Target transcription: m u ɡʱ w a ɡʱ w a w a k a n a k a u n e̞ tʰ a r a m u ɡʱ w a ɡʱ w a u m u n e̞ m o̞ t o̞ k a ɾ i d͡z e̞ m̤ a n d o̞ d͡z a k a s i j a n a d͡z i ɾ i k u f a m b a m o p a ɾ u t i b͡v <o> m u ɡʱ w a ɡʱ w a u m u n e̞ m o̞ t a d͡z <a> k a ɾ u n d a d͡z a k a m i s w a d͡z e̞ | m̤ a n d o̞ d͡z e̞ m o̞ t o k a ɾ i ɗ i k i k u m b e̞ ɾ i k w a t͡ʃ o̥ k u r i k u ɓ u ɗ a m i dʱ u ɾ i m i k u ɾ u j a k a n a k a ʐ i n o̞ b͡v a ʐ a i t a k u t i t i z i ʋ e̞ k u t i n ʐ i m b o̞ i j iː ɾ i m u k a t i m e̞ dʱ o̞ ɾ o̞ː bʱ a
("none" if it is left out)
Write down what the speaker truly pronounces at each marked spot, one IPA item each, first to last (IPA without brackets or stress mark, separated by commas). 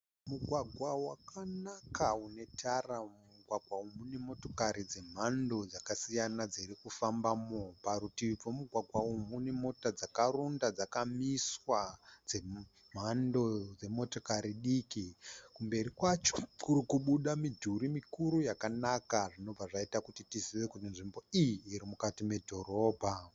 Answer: o, a